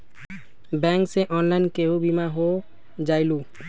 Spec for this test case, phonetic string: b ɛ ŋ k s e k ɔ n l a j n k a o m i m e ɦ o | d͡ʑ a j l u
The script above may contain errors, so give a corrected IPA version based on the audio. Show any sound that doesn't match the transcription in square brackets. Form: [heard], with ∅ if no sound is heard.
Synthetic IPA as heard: b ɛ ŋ k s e [ʔ] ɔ n l a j n k [e] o [b] i m [a] ɦ o | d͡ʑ a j l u